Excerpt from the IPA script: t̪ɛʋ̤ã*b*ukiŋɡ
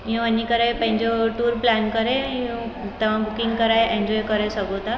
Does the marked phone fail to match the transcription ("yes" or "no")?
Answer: no